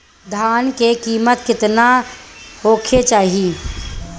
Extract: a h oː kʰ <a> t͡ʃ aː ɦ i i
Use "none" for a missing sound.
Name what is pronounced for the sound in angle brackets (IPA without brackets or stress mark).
e